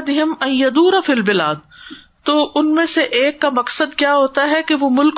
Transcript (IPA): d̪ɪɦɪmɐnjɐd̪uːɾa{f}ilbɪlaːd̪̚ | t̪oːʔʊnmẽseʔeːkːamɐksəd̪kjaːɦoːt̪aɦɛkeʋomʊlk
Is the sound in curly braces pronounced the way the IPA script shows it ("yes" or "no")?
yes